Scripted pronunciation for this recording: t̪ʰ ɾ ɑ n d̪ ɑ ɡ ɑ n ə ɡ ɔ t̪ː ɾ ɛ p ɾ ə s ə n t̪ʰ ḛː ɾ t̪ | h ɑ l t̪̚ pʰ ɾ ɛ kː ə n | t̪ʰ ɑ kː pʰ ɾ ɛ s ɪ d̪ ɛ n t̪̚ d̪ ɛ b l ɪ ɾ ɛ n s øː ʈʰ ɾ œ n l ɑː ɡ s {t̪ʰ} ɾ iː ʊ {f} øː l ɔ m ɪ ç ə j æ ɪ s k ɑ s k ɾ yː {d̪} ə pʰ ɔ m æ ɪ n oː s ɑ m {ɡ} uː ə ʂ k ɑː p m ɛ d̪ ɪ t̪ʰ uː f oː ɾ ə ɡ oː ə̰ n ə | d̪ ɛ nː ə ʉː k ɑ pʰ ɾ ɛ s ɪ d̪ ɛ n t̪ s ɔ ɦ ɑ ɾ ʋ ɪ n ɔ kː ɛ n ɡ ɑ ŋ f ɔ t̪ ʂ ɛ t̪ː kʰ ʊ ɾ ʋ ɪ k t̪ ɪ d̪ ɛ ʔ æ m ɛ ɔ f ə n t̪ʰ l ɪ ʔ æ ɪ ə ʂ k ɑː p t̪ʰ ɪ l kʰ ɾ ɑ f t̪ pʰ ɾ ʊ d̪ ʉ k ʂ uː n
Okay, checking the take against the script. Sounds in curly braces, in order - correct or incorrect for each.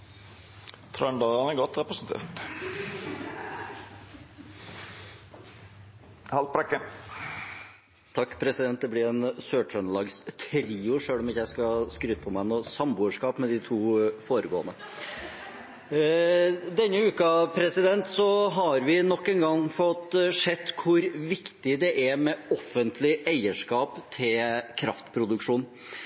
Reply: correct, incorrect, incorrect, incorrect

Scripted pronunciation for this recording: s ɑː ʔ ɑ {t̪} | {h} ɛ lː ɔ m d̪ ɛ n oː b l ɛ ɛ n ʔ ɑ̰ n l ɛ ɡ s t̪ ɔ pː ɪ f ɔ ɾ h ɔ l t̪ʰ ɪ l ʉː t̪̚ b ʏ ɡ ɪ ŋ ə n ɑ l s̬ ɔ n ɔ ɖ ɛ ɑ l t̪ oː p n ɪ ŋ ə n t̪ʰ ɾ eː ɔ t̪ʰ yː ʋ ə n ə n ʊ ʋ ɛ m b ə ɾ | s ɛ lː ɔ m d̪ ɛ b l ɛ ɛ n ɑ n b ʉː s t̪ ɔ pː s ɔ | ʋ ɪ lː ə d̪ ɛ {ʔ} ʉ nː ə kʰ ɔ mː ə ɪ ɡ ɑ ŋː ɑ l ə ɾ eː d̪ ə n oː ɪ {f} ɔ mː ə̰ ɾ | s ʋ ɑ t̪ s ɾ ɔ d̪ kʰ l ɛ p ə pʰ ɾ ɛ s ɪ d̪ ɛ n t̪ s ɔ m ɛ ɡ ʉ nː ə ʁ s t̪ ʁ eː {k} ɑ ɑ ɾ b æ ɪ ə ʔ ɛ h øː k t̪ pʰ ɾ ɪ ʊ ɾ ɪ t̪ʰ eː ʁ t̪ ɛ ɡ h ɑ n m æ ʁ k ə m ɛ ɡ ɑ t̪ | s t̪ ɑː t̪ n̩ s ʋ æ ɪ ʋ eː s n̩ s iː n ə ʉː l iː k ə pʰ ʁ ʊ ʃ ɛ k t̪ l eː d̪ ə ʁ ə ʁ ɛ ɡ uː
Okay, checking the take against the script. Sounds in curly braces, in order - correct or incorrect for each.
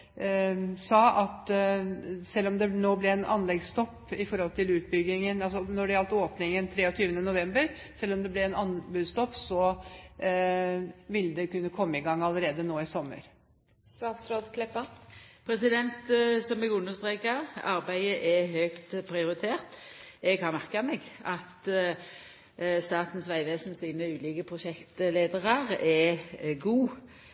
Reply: correct, incorrect, incorrect, incorrect, correct

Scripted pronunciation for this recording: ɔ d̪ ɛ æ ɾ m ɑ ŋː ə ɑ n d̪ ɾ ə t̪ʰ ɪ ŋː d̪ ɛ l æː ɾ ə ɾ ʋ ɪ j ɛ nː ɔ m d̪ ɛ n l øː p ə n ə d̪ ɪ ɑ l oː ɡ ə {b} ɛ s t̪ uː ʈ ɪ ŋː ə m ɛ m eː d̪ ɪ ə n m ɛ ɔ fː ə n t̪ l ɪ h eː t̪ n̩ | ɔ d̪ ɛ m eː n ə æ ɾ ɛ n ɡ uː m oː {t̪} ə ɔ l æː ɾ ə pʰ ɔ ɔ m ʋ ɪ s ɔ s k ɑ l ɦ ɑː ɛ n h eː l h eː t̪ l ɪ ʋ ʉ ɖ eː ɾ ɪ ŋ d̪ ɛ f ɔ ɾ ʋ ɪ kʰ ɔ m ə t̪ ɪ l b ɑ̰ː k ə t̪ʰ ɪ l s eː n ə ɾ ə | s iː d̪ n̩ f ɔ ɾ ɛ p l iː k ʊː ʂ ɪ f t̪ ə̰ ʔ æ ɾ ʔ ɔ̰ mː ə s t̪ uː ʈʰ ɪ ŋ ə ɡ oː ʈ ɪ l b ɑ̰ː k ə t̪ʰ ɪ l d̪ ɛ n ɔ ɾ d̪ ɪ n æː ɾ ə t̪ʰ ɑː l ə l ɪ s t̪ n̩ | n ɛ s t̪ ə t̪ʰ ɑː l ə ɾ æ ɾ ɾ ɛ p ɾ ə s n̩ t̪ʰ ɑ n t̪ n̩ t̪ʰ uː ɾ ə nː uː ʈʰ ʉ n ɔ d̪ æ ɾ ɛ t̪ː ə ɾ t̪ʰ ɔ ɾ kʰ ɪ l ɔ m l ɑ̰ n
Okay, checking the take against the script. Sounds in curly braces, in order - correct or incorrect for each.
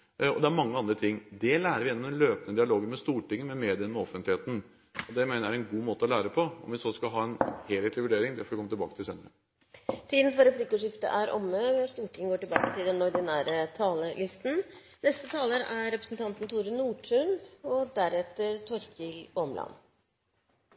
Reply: incorrect, correct

